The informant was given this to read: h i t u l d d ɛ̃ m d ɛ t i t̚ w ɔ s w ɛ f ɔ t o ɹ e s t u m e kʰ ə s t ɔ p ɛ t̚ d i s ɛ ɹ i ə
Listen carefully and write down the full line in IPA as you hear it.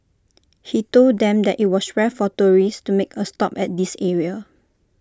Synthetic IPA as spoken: h i t o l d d ɛ̃ m d ɛ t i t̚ w ɔ s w ɛ f ɔ t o ɹ i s t u m e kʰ ə s t ɔ p ɛ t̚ d i s ɛ ɹ i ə